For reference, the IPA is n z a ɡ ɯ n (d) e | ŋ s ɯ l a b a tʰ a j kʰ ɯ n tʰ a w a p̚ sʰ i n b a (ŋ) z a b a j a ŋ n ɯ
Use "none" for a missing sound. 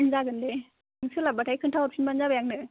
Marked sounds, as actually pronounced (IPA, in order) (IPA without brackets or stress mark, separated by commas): d, n